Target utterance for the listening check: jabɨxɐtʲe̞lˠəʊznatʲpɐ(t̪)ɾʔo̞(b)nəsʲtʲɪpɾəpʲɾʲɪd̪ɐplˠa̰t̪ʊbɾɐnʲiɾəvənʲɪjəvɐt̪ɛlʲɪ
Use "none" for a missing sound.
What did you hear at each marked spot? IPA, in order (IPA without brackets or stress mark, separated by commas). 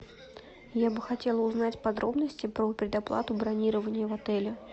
d̪, b